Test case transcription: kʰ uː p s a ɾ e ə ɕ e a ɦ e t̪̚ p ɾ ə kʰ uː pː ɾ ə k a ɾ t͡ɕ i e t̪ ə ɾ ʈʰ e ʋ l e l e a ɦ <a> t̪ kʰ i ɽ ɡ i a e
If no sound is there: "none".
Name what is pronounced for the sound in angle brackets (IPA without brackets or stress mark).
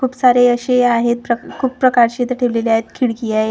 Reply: e